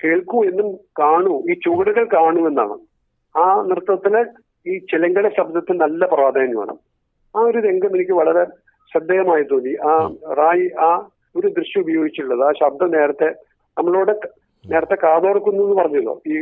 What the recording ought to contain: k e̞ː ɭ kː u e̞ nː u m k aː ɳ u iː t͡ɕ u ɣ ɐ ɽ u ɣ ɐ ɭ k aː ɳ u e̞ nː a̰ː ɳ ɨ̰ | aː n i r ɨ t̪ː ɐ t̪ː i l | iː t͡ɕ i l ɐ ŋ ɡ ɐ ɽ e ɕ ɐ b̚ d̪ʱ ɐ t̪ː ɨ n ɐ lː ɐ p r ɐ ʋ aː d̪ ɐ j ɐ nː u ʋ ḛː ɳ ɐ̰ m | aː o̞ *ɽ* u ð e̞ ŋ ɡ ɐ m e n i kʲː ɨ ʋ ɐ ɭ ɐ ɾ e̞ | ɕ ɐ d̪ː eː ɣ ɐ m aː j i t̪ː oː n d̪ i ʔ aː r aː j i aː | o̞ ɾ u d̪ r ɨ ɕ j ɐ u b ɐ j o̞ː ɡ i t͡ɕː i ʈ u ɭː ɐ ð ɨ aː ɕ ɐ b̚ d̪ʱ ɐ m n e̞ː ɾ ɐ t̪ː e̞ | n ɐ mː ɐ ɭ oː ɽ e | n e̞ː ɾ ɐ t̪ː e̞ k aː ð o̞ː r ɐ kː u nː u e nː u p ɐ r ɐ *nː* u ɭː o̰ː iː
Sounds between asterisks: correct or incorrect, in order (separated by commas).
incorrect, incorrect